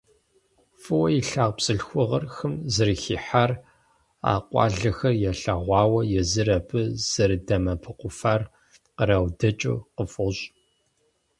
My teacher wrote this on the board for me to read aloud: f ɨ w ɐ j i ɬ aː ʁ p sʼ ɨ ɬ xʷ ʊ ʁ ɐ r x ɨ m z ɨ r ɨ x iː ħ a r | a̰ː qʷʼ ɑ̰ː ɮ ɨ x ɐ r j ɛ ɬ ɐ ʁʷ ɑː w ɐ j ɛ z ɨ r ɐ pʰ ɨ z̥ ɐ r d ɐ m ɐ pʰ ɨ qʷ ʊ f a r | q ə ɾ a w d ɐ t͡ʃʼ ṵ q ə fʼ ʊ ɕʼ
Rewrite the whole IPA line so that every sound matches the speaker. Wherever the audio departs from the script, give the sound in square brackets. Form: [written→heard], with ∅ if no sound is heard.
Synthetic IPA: f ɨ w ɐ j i ɬ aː ʁ p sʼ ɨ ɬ xʷ ʊ ʁ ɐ r x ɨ m z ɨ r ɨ x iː ħ a r | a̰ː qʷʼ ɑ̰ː ɮ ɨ x ɐ r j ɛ ɬ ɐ ʁʷ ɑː w ɐ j ɛ z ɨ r ɐ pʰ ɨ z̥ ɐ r d ɐ m ɐ pʰ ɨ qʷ ʊ f a r | q ə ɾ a w d ɐ t͡ʃʼ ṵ q ə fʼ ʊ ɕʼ

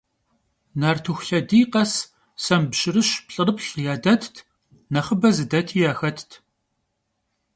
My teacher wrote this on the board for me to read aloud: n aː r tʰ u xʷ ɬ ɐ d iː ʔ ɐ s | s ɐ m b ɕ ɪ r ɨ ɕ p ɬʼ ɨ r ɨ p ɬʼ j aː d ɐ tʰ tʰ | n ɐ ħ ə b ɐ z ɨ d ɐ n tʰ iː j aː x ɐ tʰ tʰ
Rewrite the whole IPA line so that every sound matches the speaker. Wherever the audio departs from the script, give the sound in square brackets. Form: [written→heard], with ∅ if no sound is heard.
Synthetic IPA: n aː r tʰ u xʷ ɬ ɐ d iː [ʔ→q] ɐ s | s ɐ m b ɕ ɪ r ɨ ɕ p ɬʼ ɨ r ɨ p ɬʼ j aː d ɐ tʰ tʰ | n ɐ [ħ→χ] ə b ɐ z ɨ d ɐ [n→∅] tʰ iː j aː x ɐ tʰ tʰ

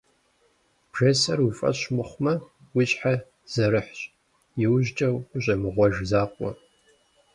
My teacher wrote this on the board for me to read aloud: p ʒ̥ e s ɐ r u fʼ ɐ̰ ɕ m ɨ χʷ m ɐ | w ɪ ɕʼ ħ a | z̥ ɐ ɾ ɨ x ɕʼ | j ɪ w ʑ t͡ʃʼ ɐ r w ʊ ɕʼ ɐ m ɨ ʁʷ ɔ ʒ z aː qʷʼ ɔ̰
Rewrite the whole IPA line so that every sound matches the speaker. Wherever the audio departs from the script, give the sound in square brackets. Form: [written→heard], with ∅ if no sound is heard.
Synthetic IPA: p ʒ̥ e s ɐ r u fʼ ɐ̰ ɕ m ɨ χʷ m ɐ | w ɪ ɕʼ ħ a | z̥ ɐ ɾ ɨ [x→ħ] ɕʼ | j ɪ w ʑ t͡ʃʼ ɐ [r→∅] w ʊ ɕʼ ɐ m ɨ ʁʷ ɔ ʒ z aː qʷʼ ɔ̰

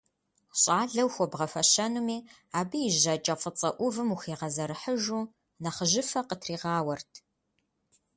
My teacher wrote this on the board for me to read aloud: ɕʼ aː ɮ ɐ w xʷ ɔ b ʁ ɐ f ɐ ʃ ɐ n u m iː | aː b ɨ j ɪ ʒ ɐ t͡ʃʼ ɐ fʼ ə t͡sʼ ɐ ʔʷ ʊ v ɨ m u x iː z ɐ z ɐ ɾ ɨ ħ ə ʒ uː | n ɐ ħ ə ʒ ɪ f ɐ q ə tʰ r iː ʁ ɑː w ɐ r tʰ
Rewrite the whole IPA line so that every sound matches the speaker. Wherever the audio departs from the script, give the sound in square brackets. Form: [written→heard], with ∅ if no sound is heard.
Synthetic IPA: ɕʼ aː ɮ ɐ w xʷ ɔ b ʁ ɐ f ɐ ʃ ɐ n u m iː | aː b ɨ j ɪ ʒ ɐ t͡ʃʼ ɐ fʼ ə t͡sʼ ɐ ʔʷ ʊ v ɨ m u x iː [z→ʁ] ɐ z ɐ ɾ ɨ ħ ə ʒ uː | n ɐ [ħ→χ] ə ʒ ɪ f ɐ q ə tʰ r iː ʁ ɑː w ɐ r tʰ

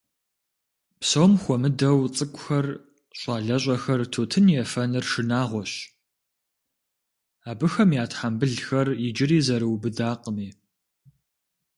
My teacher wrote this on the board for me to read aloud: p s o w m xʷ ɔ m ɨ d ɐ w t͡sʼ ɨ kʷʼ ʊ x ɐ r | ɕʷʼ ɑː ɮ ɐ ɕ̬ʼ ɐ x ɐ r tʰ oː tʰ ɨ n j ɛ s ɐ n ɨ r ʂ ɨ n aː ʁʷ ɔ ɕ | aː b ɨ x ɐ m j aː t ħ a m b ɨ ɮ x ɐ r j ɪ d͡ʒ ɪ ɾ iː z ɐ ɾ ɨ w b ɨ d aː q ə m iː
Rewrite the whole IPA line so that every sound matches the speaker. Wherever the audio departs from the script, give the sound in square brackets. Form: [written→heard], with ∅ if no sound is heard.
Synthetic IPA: p s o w m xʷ ɔ m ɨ d ɐ w t͡sʼ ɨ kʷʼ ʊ x ɐ r | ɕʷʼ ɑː ɮ ɐ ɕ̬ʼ ɐ x ɐ r tʰ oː tʰ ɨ n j ɛ [s→f] ɐ n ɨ r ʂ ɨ n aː ʁʷ ɔ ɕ | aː b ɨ x ɐ m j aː t ħ a m b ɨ ɮ x ɐ r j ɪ d͡ʒ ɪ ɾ iː z ɐ ɾ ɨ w b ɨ d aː q ə m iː

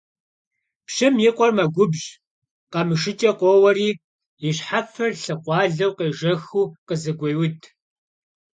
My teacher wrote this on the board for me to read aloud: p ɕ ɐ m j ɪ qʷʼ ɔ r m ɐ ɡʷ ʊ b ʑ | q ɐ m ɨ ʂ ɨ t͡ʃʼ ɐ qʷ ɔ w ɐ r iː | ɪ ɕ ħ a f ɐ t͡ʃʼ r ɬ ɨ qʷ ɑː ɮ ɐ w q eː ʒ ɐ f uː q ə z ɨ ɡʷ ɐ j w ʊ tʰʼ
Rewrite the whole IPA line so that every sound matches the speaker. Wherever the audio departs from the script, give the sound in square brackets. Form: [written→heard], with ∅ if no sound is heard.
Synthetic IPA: p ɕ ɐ m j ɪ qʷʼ ɔ r m ɐ ɡʷ ʊ b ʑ | q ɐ m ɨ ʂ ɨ t͡ʃʼ ɐ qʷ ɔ w ɐ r iː | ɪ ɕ ħ a f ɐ [t͡ʃʼ→∅] r ɬ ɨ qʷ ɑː ɮ ɐ w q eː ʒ ɐ [f→x] uː q ə z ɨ ɡʷ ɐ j w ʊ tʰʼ

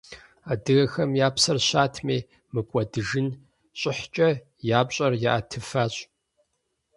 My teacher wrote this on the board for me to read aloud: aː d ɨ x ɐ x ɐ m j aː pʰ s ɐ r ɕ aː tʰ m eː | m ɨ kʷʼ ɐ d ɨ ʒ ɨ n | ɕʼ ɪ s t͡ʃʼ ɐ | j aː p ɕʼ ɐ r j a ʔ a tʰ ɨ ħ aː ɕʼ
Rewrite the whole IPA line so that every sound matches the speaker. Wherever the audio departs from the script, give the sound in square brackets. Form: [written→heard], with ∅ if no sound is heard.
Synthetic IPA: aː d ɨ [x→ɣ] ɐ x ɐ m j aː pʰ s ɐ r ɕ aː tʰ m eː | m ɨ kʷʼ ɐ d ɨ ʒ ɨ n | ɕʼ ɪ [s→ħ] t͡ʃʼ ɐ | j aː p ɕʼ ɐ r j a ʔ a tʰ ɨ [ħ→f] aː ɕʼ

